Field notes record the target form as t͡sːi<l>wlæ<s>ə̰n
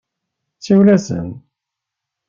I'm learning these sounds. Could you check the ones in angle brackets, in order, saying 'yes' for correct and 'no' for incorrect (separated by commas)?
no, yes